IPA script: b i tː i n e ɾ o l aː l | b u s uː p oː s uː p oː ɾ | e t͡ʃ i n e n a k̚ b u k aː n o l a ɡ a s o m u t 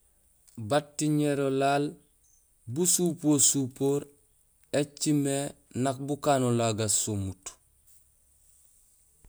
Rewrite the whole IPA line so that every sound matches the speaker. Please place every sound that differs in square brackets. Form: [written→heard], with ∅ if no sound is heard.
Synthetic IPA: b [i→a] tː i [n→ɲ] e ɾ o l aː l | b u s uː p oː s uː p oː ɾ | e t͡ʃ i [n→m] e n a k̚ b u k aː n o l a ɡ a s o m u t